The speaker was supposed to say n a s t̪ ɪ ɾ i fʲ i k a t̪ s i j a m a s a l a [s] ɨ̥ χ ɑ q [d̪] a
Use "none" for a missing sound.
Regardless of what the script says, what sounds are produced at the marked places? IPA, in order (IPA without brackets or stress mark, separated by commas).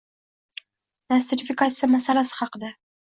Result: s, d̪